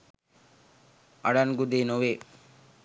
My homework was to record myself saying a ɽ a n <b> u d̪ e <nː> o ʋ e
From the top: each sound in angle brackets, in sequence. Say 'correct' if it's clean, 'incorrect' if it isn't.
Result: incorrect: ɡ, incorrect: n

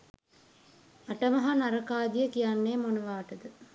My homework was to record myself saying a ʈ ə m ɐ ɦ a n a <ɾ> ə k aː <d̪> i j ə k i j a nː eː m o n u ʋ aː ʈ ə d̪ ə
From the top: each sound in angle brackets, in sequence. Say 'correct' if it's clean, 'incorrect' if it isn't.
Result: correct, correct

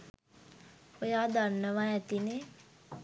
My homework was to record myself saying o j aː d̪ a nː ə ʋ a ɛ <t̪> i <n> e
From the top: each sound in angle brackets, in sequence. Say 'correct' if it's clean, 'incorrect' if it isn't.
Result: correct, correct

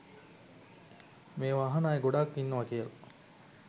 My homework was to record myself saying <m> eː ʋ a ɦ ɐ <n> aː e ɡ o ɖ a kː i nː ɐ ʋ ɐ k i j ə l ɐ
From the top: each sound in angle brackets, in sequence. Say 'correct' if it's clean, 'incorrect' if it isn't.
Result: correct, correct

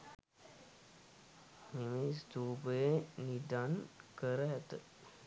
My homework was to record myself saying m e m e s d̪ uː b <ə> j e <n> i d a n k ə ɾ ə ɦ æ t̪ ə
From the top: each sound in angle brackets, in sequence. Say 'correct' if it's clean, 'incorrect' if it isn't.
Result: correct, correct

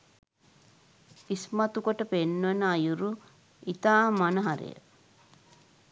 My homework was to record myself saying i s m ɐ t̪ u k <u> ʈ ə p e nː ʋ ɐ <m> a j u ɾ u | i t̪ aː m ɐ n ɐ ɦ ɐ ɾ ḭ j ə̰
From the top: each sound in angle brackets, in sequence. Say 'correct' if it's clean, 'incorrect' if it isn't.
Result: incorrect: o, incorrect: n

